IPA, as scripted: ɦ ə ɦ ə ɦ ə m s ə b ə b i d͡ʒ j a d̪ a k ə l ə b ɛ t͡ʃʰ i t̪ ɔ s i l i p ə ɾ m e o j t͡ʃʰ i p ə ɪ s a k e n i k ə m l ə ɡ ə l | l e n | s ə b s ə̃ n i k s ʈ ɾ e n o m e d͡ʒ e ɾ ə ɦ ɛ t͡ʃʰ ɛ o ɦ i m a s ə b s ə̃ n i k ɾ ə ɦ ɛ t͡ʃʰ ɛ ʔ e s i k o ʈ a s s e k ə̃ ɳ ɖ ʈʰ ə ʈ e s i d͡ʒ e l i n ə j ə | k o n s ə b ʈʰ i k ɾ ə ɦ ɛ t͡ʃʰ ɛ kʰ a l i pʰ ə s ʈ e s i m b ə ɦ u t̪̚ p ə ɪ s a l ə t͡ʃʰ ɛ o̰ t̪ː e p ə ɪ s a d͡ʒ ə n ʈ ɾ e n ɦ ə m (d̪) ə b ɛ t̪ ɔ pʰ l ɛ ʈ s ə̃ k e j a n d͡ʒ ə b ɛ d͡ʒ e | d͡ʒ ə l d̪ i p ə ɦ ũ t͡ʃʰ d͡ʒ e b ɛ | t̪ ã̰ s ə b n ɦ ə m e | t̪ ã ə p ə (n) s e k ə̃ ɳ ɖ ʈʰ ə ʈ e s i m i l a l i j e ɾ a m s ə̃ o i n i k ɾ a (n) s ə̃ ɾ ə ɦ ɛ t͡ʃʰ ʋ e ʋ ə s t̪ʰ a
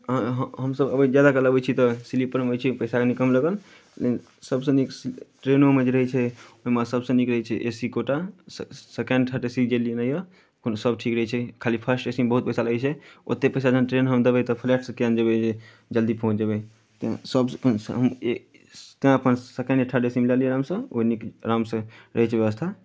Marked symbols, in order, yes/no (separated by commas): yes, yes, no